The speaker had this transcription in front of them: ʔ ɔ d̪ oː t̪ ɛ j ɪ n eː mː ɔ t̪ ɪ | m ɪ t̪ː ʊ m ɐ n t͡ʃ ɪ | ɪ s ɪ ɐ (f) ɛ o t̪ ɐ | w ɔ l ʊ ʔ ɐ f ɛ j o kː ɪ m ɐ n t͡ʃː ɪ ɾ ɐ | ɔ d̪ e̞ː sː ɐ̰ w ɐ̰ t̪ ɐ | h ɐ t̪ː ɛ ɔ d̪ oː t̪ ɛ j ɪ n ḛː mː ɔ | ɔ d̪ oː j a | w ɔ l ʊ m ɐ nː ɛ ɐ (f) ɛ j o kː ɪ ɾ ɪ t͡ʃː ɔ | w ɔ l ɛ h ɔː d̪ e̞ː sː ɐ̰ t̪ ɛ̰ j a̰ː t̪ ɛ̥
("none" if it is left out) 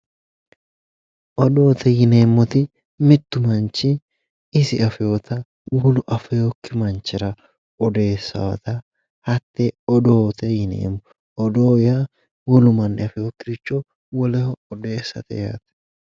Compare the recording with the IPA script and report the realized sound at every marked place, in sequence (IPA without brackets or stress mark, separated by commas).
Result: f, f